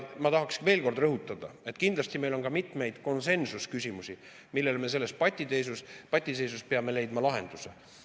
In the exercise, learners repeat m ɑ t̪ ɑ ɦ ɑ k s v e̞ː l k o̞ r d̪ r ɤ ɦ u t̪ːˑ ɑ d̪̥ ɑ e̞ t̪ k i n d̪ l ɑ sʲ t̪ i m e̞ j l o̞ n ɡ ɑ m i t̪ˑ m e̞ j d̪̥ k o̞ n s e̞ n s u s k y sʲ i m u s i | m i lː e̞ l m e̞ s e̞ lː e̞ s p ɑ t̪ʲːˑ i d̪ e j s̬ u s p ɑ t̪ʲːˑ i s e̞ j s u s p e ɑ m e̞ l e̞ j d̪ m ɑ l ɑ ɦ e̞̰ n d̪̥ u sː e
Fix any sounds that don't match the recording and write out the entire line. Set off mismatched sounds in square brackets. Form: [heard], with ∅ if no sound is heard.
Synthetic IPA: m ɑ t̪ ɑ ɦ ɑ k s v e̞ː l k o̞ r d̪ r ɤ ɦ u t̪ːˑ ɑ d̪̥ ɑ e̞ t̪ k i n d̪ l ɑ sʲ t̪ i m e̞ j l o̞ n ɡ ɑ m i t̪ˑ m e̞ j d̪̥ k o̞ n s e̞ n s u s k y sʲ i m u s i | m i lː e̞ l m e̞ s e̞ lː e̞ s p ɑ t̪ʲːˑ i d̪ e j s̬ u s p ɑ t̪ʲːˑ i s e̞ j s u s p e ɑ m e̞ l e̞ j d̪ m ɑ l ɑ ɦ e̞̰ n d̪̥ u [s] e